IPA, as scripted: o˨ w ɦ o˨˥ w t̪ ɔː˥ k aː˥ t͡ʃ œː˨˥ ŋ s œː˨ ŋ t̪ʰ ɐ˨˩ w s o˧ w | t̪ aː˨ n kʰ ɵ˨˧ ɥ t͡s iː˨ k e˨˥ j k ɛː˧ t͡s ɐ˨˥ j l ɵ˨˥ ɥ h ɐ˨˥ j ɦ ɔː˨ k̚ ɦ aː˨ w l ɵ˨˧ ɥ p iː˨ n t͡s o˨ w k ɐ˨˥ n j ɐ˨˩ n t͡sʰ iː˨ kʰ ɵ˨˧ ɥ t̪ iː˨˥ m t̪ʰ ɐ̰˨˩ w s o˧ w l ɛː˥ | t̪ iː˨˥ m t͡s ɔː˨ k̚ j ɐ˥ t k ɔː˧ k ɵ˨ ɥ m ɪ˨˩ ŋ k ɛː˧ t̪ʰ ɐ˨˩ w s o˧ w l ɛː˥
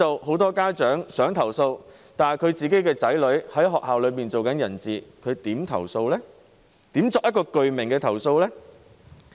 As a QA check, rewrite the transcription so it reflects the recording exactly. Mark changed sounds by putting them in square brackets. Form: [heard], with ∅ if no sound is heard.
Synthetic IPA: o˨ w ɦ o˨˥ w t̪ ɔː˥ k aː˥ t͡ʃ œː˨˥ ŋ s [œː˨˥] ŋ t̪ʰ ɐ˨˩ w s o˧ w | t̪ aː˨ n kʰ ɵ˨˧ ɥ t͡s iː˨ k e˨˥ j k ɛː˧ t͡s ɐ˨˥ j l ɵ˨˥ ɥ h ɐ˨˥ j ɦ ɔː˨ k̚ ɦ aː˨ w l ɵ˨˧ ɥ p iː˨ n t͡s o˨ w k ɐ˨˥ n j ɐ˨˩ n [t͡s] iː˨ kʰ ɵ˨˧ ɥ t̪ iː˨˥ m t̪ʰ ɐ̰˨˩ w s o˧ w l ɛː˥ | t̪ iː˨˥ m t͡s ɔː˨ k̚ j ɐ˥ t k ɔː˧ k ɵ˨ ɥ m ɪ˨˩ ŋ k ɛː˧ t̪ʰ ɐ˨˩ w s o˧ w l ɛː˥